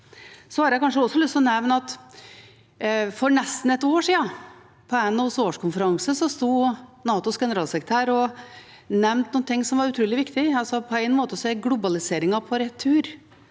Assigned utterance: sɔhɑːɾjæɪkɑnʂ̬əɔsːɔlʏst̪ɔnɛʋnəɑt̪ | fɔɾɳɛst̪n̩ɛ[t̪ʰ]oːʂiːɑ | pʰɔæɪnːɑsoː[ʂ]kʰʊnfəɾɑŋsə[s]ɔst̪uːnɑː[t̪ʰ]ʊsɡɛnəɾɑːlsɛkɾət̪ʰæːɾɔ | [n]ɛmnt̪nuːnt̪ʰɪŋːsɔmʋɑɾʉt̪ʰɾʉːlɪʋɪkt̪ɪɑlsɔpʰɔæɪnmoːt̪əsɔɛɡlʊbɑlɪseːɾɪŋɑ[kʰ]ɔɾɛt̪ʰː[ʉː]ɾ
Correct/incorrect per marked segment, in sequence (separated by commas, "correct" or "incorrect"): incorrect, correct, correct, incorrect, correct, incorrect, correct